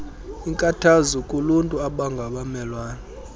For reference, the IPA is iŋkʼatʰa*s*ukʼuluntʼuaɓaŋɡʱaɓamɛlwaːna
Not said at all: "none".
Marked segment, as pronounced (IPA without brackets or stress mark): z